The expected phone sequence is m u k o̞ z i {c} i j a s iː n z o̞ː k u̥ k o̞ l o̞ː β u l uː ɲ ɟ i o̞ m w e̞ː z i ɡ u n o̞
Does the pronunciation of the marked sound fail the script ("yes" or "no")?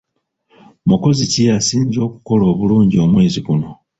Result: no